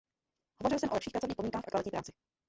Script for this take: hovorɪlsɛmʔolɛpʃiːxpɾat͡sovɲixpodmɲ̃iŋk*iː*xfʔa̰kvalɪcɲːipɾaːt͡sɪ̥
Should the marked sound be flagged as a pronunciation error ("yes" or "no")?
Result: yes